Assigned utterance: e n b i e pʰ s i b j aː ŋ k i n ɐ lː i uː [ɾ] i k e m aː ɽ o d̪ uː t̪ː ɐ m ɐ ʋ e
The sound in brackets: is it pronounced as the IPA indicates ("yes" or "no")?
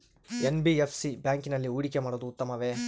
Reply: no